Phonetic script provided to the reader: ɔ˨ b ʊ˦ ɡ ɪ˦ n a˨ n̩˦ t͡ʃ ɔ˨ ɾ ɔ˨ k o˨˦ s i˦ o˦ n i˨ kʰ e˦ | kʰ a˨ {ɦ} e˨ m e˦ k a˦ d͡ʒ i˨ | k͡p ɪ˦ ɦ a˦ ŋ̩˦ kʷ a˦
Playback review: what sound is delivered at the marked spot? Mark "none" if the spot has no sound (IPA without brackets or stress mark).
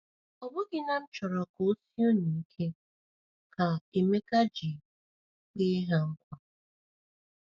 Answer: none